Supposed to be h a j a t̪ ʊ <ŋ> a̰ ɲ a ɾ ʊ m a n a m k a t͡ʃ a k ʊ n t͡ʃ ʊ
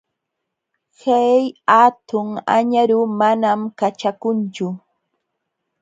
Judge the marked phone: correct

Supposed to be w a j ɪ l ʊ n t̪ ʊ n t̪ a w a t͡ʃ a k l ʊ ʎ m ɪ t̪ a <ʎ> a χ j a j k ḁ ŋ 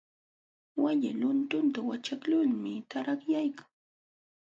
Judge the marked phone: incorrect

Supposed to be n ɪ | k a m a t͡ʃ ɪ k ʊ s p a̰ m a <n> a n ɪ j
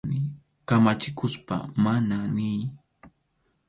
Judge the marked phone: correct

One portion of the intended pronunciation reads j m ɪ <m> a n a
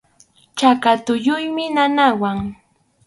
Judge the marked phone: incorrect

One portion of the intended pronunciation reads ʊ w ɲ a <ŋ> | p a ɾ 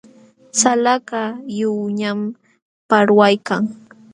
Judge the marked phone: incorrect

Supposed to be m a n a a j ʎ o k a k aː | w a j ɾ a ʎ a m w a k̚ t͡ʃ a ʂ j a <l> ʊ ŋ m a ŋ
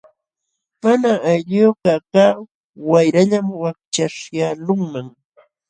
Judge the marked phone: correct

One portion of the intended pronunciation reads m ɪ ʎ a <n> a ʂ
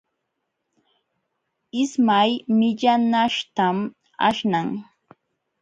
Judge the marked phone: correct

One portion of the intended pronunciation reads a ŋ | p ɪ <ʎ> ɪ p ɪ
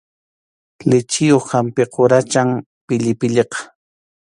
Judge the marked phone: correct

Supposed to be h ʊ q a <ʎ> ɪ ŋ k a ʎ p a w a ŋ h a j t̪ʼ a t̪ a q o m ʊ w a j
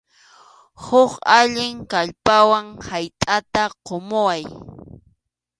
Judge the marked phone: correct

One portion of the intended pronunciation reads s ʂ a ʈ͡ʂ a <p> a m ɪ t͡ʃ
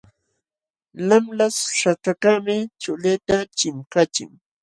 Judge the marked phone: incorrect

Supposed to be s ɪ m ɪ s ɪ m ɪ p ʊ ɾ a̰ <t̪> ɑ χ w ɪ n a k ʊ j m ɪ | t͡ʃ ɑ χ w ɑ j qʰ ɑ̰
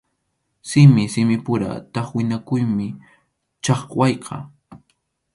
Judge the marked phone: correct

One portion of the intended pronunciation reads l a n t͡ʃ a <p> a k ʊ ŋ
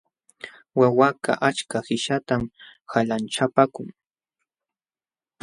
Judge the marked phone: correct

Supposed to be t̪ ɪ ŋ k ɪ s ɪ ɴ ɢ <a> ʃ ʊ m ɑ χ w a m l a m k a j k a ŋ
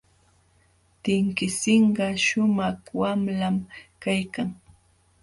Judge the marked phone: incorrect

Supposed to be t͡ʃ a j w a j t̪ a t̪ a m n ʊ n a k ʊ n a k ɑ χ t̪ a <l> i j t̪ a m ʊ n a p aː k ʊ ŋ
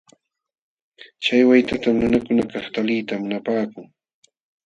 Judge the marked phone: correct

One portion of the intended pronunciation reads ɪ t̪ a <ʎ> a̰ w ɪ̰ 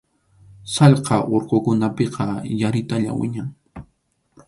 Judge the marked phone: correct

